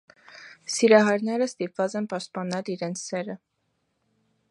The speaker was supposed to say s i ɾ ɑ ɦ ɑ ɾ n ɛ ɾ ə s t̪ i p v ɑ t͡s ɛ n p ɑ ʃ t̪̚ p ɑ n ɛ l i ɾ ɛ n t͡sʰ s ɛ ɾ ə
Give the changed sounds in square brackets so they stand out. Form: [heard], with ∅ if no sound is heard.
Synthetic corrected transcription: s i ɾ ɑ ɦ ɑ ɾ n ɛ ɾ ə s t̪ i p v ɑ t͡s ɛ n p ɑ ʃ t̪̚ p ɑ n ɛ l i ɾ ɛ n t͡sʰ s ɛ ɾ ə